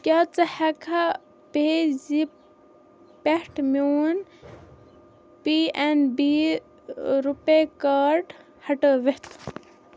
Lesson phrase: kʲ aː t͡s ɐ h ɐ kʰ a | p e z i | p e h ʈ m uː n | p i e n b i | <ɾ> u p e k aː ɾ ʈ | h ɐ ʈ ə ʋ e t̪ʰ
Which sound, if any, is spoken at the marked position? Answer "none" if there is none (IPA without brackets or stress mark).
ɾ